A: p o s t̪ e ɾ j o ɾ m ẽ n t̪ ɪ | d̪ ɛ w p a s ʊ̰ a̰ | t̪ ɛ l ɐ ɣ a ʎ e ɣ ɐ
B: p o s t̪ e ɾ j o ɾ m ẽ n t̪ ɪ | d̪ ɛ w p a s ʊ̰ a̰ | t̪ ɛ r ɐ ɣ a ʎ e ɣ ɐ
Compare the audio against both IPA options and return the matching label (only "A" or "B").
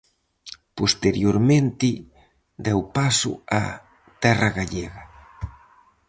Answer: B